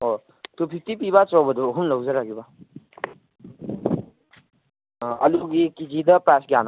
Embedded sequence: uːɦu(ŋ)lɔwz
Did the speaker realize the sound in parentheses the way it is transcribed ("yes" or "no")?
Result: no